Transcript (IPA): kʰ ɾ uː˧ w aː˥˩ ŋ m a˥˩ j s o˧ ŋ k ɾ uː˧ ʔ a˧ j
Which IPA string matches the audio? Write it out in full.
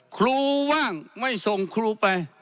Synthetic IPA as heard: kʰ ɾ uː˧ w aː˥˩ ŋ m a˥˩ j s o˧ ŋ kʰ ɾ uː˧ p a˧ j